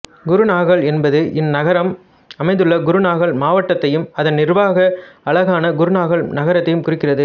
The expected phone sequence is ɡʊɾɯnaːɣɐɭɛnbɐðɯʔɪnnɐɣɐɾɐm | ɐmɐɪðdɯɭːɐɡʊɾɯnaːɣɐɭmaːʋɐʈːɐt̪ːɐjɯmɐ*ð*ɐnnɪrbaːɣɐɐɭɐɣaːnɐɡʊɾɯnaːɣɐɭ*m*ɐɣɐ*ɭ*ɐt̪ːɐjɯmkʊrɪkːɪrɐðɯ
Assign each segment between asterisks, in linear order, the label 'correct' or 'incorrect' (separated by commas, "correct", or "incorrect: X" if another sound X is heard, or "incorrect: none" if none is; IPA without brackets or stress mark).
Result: correct, incorrect: n, incorrect: ɾ